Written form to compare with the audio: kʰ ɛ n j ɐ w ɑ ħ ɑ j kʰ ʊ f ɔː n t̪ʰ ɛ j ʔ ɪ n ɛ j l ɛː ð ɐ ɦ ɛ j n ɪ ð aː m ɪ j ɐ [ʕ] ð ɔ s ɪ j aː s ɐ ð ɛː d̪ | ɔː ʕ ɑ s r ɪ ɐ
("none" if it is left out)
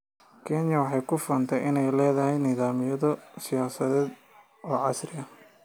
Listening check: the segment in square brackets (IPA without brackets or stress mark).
none